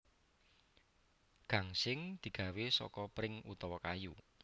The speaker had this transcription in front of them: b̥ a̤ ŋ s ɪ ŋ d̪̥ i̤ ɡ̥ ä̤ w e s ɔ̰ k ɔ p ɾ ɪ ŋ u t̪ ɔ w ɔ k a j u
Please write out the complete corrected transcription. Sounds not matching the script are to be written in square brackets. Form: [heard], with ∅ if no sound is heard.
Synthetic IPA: [ɡ̥] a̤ ŋ s ɪ ŋ d̪̥ i̤ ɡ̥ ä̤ w e s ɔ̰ k ɔ p ɾ ɪ ŋ u t̪ ɔ w ɔ k a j u

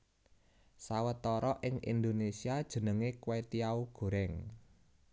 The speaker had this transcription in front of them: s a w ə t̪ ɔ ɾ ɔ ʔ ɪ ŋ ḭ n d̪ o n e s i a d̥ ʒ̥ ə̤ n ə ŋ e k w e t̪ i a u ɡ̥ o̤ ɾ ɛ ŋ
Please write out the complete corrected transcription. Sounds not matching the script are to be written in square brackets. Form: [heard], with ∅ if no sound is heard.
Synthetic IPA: s a w ə t̪ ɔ ɾ ɔ ʔ ɪ ŋ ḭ n d̪ o n e s i a d̥ ʒ̥ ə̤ n ə ŋ e k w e t̪ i a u ɡ̥ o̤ ɾ ɛ ŋ

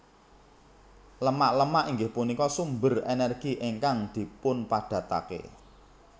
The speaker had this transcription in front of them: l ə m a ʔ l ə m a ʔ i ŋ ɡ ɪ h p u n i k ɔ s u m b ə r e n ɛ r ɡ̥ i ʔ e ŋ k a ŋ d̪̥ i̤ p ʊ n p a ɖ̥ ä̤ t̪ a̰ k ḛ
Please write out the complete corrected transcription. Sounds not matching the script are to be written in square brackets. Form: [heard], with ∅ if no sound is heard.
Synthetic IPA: l ə m a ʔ l ə m a ʔ i ŋ ɡ ɪ h p u n i k ɔ s u m b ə r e n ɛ r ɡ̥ i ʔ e ŋ k a ŋ d̪̥ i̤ p ʊ n p a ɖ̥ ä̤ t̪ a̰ k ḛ

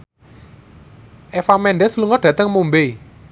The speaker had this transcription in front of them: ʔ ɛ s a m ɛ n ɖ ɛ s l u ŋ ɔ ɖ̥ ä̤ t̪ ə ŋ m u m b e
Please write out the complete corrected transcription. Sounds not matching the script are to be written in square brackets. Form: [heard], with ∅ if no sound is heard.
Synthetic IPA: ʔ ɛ [f] a m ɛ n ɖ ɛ s l u ŋ ɔ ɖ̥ ä̤ t̪ ə ŋ m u m b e

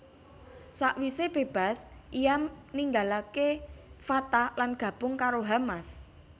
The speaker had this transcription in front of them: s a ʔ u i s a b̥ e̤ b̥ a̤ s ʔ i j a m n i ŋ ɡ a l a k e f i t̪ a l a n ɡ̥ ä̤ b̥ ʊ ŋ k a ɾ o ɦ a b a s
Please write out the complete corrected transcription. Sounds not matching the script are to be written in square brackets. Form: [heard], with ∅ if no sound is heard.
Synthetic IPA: s a ʔ [w] i s [e] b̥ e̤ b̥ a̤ s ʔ i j a m n i ŋ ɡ a l a k e f [a] t̪ a l a n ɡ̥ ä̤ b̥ ʊ ŋ k a ɾ o ɦ a [m] a s

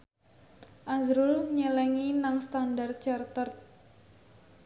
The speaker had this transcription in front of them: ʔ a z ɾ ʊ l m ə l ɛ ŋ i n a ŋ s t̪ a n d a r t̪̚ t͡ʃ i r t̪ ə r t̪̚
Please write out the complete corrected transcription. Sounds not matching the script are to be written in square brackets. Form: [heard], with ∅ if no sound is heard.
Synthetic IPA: ʔ a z ɾ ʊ l [ɲ] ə l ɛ ŋ i n a ŋ s t̪ a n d a r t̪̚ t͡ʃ [a] r t̪ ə r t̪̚

